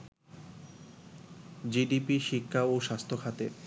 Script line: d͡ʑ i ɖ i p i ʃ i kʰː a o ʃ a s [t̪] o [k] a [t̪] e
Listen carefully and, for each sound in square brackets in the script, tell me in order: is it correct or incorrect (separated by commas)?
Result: incorrect, incorrect, correct